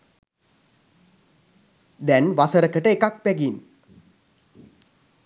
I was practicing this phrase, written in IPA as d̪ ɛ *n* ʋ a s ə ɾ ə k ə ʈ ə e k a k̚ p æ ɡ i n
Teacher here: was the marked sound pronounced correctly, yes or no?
yes